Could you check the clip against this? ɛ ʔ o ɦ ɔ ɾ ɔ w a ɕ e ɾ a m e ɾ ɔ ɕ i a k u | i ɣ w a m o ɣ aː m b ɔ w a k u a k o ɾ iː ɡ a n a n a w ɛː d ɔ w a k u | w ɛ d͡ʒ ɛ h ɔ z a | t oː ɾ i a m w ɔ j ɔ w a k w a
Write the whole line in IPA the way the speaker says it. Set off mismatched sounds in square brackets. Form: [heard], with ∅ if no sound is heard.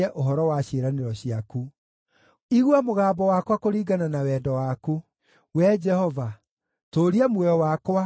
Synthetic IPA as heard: ɛ ʔ o ɦ ɔ ɾ ɔ w a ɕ e ɾ a [n] e ɾ ɔ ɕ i a k u | i ɣ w a m o ɣ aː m b ɔ w a k [w] a k o ɾ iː ɡ a n a n a w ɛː d ɔ w a k u | w ɛ d͡ʒ ɛ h ɔ [v] a | t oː ɾ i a m w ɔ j ɔ w a k w a